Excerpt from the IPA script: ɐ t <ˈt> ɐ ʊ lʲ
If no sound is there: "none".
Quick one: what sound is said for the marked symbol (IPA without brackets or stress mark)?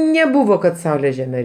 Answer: s